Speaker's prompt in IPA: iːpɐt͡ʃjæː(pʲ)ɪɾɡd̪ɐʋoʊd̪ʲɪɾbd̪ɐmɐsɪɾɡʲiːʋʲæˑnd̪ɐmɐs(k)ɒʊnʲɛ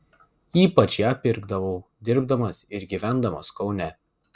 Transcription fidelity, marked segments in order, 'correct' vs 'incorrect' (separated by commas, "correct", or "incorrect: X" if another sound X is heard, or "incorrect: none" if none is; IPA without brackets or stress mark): correct, correct